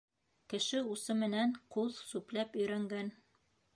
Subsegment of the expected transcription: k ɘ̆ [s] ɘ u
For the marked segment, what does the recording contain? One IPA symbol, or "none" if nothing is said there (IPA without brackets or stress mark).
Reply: ʃ